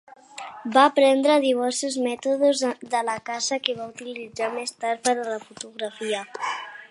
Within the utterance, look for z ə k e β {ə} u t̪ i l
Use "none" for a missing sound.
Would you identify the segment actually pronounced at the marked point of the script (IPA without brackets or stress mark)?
a